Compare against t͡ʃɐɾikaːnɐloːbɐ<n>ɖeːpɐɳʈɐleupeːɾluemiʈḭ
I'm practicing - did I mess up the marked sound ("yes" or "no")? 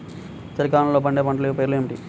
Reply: yes